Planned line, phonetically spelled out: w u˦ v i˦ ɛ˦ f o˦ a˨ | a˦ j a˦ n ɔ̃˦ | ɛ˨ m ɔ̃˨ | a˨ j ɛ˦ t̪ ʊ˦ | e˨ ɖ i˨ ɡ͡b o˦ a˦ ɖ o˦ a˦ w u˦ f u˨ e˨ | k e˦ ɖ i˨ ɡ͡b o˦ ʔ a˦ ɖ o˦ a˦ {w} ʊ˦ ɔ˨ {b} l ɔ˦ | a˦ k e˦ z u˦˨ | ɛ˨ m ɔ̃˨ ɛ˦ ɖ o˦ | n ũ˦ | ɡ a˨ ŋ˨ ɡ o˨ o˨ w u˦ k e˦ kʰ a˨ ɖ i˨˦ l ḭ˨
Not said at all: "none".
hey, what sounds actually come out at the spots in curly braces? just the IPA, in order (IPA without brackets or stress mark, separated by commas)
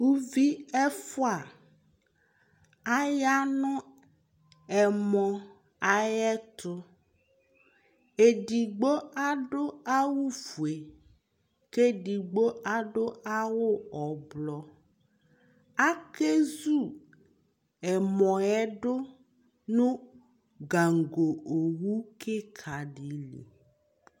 w, b